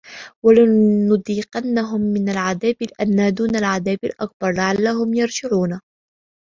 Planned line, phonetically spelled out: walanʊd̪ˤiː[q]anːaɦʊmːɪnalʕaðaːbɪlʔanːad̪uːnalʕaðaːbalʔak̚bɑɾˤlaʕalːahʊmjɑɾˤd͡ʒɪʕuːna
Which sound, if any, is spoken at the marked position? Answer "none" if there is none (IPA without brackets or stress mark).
q